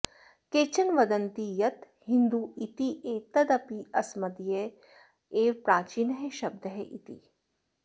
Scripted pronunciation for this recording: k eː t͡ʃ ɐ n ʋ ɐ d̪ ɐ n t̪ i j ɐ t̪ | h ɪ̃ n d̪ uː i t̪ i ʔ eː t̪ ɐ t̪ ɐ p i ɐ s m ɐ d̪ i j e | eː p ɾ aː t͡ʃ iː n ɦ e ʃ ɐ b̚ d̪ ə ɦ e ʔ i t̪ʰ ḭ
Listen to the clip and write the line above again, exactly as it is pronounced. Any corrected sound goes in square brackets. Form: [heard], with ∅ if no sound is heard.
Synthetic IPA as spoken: k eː t͡ʃ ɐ n ʋ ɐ d̪ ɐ n t̪ i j ɐ t̪ | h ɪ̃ n d̪ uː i t̪ i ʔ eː t̪ ɐ [d̪] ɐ p i ɐ s m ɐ d̪ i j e | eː p ɾ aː t͡ʃ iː n ɦ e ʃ ɐ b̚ d̪ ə ɦ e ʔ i [t̪] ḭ